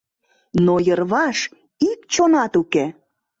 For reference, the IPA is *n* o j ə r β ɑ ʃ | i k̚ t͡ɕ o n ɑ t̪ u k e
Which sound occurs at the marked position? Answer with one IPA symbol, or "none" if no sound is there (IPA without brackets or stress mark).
n